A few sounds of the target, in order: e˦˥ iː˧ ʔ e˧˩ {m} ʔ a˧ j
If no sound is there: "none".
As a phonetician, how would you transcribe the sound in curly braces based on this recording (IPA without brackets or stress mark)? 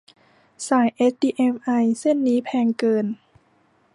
m